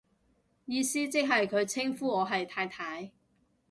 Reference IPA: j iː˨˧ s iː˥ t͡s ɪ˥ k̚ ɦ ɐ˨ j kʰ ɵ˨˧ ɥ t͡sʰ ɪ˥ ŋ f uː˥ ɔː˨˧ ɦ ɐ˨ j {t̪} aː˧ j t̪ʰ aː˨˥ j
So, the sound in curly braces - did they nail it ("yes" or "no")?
no